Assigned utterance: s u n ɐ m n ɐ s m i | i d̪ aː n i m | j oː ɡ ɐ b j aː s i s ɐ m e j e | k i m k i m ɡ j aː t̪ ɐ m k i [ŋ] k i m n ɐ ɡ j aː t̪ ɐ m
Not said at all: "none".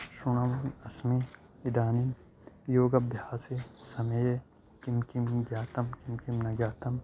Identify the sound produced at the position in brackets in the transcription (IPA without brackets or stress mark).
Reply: m